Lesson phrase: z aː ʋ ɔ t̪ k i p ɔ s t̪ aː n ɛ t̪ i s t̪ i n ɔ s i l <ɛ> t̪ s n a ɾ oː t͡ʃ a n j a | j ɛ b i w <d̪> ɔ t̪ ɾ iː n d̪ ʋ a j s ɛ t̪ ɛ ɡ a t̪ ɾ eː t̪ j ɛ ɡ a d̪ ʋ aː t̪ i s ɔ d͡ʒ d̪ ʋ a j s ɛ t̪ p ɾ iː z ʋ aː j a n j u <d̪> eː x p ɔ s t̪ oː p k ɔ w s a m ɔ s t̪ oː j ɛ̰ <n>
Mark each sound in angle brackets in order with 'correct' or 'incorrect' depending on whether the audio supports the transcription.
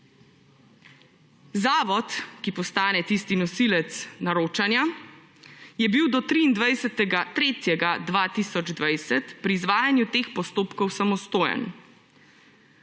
correct, correct, incorrect: t̪, correct

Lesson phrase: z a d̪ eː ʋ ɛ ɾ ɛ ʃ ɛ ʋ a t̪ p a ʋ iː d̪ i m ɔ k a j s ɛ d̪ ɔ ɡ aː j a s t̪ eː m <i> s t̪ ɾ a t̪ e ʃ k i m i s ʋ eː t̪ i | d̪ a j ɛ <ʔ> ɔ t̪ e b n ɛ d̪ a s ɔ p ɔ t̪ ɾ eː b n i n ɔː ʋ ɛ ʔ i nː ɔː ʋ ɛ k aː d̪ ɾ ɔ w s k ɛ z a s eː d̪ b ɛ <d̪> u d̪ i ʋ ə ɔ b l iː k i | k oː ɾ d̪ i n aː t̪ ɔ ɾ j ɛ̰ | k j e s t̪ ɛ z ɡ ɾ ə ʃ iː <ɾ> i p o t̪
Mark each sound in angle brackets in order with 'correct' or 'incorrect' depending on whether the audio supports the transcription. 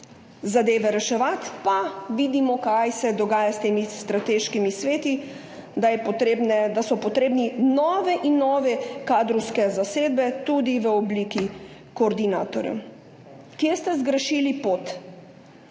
correct, incorrect: p, incorrect: t̪, incorrect: l

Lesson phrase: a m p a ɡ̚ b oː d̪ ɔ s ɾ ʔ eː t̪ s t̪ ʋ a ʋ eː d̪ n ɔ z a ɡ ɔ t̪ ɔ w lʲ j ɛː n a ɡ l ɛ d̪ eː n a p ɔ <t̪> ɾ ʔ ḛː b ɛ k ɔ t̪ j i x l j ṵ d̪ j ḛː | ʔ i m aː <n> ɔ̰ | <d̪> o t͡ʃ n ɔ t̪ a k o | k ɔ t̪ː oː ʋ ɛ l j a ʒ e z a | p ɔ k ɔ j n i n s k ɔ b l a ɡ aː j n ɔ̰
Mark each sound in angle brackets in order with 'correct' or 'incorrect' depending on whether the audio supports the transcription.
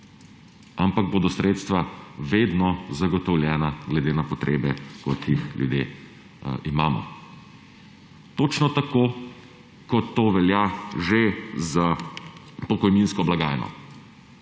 correct, incorrect: m, incorrect: t̪

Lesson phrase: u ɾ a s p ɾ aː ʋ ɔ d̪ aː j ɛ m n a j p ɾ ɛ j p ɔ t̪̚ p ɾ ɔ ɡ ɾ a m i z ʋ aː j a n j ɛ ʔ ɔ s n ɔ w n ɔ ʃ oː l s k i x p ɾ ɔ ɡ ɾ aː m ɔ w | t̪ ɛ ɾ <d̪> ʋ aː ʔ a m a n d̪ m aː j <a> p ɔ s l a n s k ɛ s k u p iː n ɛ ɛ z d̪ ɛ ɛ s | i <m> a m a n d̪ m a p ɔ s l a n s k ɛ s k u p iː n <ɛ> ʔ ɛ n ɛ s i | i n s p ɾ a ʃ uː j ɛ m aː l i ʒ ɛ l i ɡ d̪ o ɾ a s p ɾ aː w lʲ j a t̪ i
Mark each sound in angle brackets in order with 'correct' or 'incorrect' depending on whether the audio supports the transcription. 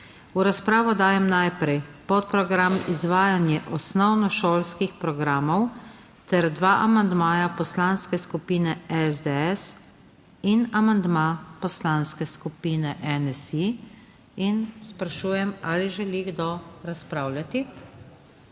correct, correct, incorrect: n, correct

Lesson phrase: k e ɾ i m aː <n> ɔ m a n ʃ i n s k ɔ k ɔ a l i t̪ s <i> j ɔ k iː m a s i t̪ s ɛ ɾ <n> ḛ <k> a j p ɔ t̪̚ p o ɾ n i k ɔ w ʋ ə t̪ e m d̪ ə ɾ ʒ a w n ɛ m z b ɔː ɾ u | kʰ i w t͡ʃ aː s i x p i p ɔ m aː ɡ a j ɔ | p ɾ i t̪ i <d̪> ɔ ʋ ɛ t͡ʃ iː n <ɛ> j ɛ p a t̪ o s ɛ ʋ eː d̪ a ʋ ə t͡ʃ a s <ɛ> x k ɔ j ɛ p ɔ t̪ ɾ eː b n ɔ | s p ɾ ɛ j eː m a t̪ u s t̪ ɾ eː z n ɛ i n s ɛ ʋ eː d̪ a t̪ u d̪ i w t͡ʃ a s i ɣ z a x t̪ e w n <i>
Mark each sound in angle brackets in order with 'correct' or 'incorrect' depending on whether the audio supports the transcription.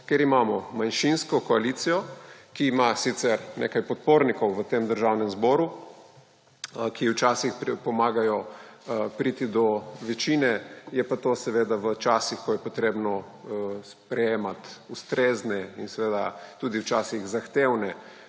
incorrect: m, correct, correct, correct, correct, correct, incorrect: i, incorrect: ɛ

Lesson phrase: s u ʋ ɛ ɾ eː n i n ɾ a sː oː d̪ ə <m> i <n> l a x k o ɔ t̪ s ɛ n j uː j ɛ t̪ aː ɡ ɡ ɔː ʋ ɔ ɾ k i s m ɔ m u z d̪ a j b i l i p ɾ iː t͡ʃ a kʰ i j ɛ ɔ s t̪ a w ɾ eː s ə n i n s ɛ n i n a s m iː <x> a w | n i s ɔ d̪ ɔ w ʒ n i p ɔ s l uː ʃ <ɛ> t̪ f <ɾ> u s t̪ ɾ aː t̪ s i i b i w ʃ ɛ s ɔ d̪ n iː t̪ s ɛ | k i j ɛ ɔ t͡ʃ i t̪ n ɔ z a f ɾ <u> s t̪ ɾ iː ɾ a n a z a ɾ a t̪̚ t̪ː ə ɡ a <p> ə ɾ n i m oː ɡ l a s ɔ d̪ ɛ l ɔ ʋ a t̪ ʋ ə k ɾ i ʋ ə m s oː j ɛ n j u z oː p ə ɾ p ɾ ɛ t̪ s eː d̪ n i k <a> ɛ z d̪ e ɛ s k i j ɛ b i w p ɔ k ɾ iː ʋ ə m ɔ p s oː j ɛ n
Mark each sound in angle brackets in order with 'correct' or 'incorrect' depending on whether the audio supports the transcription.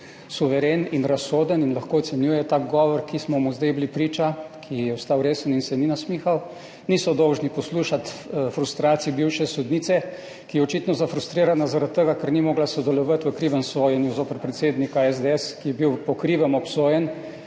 incorrect: n, correct, correct, incorrect: a, correct, correct, incorrect: k, correct

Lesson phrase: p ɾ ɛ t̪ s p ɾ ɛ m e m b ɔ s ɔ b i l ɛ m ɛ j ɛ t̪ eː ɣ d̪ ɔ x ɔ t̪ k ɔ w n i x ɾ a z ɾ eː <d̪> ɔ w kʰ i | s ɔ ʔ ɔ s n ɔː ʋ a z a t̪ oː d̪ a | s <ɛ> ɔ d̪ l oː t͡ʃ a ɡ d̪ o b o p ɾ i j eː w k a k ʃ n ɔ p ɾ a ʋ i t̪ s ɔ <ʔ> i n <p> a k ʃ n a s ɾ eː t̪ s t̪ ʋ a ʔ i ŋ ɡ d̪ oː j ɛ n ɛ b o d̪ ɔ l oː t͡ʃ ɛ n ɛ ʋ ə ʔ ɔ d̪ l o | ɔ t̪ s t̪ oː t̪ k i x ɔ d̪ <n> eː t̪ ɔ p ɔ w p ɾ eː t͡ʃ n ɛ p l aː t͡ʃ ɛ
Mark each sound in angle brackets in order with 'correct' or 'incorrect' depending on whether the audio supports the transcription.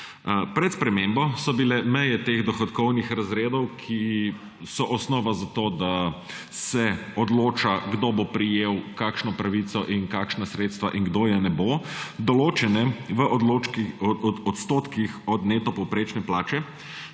correct, correct, correct, incorrect: k, correct

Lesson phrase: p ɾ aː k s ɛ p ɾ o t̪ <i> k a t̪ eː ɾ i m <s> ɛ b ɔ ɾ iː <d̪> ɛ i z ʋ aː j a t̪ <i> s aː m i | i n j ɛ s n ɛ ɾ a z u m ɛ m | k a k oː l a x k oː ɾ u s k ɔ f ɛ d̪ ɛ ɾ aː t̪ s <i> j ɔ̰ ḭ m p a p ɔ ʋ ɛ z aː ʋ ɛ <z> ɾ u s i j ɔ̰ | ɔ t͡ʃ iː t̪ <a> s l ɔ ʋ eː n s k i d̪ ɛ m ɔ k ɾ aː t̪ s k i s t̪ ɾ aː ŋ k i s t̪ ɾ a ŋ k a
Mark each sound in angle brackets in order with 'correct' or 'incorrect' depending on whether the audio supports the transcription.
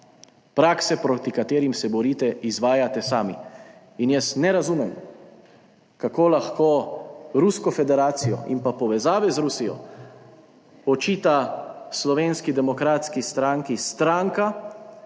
correct, correct, incorrect: t̪, incorrect: ɛ, correct, correct, correct

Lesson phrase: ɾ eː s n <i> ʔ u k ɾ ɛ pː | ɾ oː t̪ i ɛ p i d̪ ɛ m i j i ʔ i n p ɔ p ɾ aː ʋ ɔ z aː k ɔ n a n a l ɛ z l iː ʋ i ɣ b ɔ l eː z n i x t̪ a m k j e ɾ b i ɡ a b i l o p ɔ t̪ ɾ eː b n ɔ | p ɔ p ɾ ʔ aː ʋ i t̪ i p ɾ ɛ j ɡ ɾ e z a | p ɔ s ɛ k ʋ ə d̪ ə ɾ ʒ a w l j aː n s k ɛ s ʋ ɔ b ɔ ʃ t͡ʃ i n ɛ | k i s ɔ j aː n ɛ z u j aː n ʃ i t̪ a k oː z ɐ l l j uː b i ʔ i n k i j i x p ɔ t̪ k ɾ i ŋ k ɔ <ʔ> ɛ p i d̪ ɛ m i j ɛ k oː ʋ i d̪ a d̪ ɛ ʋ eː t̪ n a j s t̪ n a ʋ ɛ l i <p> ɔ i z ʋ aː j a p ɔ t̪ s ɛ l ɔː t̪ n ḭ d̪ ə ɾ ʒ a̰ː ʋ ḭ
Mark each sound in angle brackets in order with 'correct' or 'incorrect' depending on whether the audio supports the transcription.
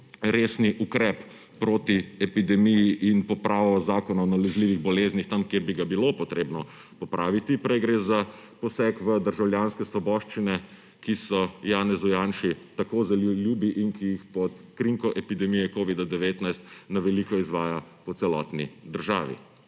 correct, correct, incorrect: k

